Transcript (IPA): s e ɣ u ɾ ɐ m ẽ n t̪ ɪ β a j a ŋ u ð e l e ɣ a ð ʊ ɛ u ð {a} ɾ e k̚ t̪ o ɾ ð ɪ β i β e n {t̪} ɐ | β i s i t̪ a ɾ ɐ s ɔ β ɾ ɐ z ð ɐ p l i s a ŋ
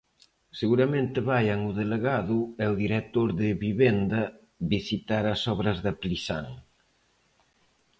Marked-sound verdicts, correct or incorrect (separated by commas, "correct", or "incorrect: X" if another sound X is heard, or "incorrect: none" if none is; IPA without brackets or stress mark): incorrect: i, incorrect: d̪